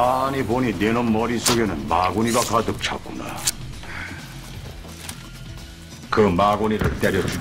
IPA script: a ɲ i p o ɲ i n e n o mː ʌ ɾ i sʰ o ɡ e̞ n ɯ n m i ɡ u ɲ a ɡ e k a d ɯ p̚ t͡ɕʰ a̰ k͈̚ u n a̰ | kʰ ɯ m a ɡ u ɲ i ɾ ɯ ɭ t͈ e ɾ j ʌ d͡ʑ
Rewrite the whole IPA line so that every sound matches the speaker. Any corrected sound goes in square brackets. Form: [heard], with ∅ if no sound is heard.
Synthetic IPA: a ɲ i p o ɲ i n e n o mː ʌ ɾ i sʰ o ɡ e̞ n ɯ n m [a] ɡ u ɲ [i] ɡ [a] k a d ɯ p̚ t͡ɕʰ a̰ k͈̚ u n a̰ | [k] ɯ m a ɡ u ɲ i ɾ ɯ ɭ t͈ e ɾ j ʌ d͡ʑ